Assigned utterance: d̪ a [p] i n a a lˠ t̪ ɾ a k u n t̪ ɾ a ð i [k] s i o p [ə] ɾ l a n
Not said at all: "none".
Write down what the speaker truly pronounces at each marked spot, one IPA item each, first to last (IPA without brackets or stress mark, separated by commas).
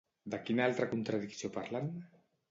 k, k, a